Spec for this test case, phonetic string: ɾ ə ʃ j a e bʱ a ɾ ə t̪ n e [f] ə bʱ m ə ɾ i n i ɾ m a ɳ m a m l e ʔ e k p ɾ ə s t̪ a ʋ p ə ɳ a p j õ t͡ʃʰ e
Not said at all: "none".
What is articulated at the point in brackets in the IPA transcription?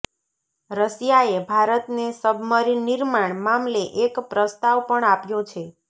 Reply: s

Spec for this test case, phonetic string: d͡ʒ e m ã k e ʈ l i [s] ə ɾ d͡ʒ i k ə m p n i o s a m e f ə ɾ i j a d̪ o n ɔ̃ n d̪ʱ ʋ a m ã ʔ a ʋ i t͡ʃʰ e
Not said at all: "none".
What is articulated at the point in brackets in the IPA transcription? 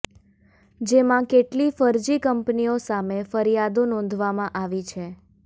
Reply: f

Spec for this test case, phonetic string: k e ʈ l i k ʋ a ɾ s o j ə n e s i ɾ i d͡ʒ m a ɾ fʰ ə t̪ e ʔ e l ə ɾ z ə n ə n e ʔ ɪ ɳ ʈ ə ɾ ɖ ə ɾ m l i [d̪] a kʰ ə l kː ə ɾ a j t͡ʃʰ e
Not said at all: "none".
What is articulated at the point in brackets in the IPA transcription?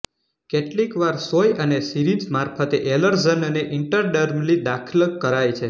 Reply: d̪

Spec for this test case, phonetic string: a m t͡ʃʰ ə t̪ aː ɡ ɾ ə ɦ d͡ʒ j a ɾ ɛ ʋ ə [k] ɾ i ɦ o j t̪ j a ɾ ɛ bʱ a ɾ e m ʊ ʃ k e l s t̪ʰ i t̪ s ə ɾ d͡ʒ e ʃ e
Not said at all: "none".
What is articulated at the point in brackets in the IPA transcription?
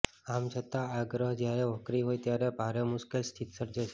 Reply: k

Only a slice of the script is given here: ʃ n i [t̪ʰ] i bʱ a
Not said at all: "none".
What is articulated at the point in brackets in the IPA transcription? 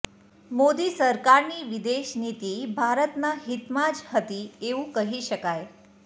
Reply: t̪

